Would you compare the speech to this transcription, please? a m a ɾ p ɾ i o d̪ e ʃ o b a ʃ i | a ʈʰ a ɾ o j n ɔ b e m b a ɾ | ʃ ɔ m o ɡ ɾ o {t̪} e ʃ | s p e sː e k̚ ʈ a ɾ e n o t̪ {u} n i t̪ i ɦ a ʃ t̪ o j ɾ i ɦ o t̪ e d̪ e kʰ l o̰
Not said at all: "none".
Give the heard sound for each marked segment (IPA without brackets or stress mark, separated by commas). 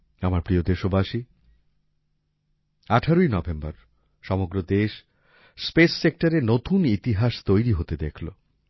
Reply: d̪, u